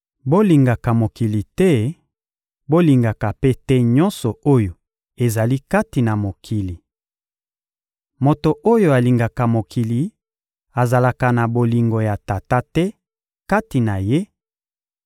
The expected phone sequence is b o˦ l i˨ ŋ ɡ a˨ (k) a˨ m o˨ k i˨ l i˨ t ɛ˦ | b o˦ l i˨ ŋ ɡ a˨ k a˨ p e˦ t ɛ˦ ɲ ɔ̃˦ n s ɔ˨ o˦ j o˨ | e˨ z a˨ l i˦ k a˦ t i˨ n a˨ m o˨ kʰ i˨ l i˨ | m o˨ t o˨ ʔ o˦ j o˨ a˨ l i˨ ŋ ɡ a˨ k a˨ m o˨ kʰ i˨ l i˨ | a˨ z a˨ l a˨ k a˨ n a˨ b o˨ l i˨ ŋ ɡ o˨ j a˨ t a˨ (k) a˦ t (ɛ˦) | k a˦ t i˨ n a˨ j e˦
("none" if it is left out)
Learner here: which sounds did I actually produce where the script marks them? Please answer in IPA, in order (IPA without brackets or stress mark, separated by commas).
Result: k, t, ɛ˦